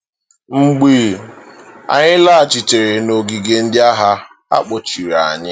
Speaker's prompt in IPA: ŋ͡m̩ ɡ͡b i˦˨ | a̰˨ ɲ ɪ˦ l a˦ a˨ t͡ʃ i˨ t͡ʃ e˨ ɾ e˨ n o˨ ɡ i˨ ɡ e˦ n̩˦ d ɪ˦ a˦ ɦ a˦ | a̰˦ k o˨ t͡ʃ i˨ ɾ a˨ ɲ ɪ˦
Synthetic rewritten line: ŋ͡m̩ ɡ͡b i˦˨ | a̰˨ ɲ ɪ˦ l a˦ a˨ t͡ʃ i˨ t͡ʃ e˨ ɾ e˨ n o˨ ɡ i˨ ɡ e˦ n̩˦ d ɪ˦ a˦ ɦ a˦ | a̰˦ k͡p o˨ t͡ʃ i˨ ɾ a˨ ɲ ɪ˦